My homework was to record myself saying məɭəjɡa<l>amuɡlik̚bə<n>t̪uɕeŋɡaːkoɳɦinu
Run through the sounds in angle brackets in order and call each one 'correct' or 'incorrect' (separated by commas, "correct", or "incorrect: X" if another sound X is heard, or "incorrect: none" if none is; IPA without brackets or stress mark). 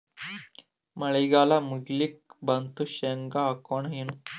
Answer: correct, correct